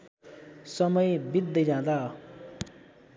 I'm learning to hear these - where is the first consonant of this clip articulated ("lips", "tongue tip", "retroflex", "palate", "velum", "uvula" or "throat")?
tongue tip